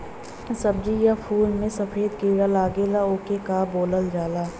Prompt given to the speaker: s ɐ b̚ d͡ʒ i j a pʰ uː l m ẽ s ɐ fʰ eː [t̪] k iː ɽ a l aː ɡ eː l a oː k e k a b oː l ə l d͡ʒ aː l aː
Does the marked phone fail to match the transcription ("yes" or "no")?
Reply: yes